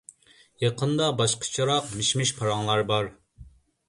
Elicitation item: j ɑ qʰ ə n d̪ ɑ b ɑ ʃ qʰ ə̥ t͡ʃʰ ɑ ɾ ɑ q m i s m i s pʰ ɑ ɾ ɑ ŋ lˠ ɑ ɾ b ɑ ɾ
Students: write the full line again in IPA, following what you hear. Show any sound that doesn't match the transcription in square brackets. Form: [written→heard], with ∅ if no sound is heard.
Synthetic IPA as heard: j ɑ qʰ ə n d̪ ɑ b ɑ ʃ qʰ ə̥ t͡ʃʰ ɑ ɾ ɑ q m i [s→ʃ] m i [s→ʃ] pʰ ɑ ɾ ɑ ŋ lˠ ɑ ɾ b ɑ ɾ